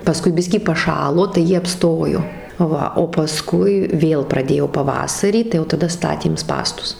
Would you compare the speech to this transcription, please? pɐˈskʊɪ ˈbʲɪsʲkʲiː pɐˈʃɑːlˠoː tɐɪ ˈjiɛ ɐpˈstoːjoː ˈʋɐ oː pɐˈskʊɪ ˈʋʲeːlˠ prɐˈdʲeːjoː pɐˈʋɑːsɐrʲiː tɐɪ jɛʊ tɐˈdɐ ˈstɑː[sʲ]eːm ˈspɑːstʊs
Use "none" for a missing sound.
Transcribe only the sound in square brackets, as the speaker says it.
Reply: tʲ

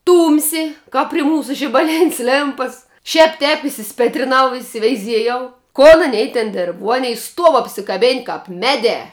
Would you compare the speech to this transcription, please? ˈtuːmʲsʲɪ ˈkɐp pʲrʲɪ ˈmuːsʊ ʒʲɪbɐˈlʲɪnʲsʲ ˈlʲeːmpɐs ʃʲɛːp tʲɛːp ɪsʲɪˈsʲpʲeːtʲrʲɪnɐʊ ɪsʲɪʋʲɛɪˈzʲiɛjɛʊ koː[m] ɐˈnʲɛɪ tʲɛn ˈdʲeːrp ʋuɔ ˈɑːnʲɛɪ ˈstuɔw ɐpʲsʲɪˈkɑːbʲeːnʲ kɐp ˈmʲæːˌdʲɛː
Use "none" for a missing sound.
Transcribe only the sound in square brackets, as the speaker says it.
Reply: n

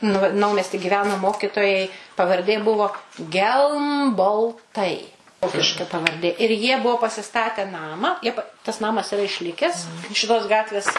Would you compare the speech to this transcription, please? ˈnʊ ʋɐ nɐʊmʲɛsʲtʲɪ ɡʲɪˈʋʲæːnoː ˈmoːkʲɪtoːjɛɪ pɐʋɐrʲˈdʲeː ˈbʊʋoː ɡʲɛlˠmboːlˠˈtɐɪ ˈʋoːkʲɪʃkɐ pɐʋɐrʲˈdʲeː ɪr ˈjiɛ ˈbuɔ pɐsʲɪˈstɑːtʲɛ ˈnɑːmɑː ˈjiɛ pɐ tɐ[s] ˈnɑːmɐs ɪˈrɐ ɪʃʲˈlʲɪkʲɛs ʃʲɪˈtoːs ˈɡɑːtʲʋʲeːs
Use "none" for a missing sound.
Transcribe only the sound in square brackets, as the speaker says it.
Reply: s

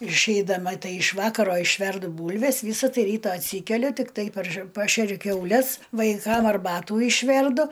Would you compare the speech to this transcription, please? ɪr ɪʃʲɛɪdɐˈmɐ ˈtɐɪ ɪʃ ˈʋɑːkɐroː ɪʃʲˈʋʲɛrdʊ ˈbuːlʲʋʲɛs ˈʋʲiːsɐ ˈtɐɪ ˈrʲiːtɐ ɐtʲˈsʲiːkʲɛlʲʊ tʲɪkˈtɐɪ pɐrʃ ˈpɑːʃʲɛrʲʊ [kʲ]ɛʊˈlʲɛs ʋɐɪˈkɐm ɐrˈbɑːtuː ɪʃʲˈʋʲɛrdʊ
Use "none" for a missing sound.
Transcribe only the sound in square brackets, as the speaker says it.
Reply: kʲ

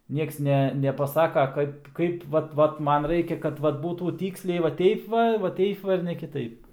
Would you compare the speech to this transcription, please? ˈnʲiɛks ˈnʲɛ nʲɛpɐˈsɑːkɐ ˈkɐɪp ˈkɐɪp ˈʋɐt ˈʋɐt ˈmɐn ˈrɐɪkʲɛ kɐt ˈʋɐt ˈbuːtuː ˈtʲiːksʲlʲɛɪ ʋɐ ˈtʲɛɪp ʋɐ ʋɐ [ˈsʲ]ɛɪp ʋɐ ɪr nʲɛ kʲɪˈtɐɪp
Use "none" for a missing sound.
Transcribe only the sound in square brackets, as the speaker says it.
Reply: tʲ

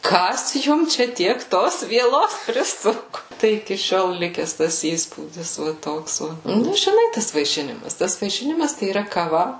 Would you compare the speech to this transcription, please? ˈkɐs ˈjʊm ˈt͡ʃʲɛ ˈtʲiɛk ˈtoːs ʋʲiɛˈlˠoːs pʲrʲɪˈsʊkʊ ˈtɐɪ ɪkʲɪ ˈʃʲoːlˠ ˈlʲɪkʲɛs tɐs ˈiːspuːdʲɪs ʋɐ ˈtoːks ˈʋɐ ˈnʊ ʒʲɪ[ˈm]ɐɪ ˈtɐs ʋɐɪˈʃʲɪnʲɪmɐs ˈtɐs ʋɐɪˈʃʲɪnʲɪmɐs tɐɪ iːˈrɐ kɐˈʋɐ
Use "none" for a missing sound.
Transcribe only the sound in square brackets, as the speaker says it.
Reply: n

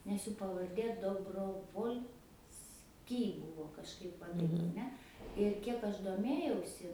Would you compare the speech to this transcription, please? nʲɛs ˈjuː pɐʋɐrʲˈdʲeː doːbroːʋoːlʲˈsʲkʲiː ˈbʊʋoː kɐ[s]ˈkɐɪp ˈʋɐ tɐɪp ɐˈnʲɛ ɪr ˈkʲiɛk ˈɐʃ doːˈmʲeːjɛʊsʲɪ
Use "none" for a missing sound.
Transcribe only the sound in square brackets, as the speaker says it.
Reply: ʃ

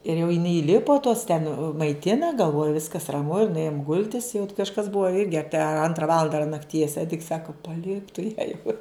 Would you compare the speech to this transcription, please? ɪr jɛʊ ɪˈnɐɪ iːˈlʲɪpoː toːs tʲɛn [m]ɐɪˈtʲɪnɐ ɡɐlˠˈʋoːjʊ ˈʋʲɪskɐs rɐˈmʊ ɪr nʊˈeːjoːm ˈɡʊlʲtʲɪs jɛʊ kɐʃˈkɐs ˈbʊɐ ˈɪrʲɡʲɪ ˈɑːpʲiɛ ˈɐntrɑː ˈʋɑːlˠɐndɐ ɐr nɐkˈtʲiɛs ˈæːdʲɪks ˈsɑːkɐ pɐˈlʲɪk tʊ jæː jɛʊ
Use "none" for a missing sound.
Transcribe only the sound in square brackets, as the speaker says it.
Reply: m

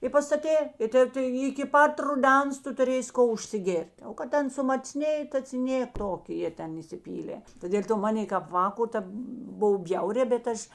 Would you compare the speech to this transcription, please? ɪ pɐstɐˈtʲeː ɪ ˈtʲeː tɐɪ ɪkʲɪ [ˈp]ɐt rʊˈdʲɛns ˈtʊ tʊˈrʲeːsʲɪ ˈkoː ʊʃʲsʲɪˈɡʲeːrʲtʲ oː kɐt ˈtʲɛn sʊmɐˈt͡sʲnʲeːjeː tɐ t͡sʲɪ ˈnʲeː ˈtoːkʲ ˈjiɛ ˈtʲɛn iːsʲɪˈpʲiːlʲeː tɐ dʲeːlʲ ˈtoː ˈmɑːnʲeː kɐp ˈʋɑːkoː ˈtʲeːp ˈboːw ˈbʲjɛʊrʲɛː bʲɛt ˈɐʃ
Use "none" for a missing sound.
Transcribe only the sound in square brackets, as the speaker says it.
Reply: p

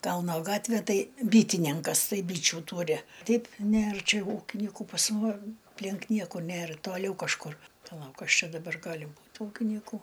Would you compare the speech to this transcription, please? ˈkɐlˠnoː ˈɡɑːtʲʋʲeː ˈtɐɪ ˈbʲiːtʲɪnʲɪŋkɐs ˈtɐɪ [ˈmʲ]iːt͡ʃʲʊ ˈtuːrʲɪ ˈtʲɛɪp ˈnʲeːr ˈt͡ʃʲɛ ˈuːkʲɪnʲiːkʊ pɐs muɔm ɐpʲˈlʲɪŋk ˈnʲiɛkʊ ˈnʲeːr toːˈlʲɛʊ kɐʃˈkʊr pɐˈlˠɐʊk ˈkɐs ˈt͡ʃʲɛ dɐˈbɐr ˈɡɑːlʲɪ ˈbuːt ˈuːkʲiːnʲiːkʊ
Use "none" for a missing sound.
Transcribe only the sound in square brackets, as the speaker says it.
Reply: bʲ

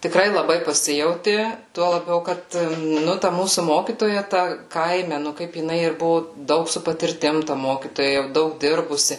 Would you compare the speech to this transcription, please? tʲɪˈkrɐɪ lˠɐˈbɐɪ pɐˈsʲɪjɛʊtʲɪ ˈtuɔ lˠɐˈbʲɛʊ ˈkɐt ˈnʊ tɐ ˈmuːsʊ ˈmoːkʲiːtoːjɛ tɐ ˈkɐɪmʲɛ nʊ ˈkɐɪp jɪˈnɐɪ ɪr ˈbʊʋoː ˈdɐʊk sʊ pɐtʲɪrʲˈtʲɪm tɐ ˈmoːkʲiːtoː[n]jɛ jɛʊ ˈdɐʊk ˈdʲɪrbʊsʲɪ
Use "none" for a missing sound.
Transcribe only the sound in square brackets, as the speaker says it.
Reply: none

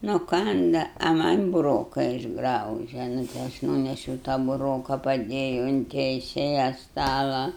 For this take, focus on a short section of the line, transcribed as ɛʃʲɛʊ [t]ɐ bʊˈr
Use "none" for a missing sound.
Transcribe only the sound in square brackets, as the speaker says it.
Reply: t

